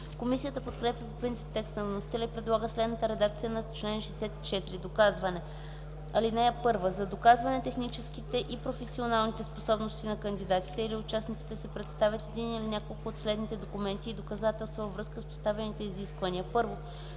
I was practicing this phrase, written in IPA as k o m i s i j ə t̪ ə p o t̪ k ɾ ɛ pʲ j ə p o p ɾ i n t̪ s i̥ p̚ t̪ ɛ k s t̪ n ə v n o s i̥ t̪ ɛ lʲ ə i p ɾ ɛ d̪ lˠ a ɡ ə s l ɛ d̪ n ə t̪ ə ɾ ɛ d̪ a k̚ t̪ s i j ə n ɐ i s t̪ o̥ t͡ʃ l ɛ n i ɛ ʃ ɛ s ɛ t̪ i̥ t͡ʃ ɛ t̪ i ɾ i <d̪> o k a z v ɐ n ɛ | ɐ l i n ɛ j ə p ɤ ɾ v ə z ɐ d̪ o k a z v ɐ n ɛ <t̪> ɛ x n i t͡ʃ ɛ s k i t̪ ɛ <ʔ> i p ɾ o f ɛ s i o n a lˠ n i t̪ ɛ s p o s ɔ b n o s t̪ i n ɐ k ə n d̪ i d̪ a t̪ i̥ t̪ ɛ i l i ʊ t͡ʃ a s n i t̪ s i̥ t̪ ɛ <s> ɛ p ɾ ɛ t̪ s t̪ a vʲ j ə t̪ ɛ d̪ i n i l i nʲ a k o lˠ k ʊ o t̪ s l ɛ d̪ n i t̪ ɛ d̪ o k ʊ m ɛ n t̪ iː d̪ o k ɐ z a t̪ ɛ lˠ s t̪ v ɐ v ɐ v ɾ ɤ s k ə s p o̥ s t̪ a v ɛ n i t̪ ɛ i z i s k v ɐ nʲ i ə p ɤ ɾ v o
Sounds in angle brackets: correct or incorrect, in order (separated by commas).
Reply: correct, correct, correct, correct